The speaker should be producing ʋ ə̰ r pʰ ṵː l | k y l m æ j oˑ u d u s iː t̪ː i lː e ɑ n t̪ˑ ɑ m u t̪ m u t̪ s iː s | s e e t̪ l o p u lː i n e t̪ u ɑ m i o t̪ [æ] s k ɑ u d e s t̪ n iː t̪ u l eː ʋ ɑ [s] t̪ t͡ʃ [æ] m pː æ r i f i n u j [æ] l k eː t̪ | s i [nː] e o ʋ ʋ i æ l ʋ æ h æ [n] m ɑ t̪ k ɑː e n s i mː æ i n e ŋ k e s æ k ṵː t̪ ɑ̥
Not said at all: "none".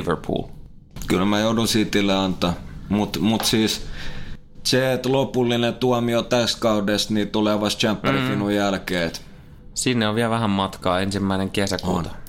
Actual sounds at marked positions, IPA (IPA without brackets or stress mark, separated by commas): æ, s, æ, æ, nː, m